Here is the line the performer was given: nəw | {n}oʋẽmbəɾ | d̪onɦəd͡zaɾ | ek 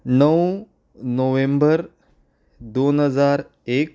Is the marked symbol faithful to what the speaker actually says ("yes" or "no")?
yes